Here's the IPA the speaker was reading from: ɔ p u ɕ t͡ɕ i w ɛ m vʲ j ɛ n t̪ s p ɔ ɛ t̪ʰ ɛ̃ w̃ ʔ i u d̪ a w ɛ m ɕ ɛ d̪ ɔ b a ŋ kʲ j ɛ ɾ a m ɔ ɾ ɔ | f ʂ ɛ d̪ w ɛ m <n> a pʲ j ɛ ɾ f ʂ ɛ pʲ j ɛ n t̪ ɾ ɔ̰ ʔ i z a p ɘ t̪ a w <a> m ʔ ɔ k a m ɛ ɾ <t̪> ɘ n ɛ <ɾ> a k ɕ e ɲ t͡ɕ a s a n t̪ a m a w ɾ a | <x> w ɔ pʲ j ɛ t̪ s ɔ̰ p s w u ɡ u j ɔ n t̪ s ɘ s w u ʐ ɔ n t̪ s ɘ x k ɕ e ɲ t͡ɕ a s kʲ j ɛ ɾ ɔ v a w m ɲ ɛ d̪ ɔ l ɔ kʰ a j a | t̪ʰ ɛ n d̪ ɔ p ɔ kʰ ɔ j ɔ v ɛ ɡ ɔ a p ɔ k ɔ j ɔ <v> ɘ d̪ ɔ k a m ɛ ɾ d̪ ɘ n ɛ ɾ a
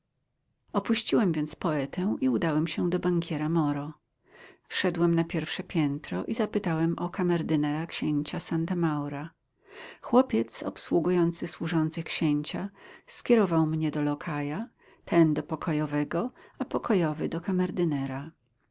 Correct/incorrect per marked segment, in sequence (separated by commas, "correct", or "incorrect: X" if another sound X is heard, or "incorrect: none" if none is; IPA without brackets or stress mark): correct, incorrect: ɛ, incorrect: d̪, correct, correct, correct